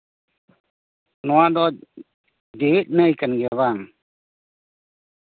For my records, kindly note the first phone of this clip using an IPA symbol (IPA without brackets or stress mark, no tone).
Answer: n